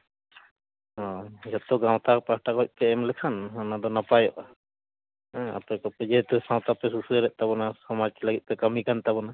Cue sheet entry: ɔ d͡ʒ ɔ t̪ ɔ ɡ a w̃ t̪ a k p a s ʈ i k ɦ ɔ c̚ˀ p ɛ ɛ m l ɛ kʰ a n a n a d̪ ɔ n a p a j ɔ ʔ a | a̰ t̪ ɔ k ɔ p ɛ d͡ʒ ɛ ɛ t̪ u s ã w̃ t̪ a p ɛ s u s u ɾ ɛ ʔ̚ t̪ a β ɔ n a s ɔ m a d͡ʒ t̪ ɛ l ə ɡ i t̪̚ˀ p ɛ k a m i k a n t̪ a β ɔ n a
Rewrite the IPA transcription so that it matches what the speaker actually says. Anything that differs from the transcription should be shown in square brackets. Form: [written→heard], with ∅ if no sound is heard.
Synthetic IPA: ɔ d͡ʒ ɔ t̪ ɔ ɡ a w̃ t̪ a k p a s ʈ [i→a] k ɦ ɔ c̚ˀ p ɛ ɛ m l ɛ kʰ a n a n a d̪ ɔ n a p a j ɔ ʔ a | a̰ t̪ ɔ k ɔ p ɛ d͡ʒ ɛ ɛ t̪ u s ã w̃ t̪ a p ɛ s u s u ɾ ɛ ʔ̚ t̪ a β ɔ n a s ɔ m a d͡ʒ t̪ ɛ l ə ɡ i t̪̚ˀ p ɛ k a m i k a n t̪ a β ɔ n a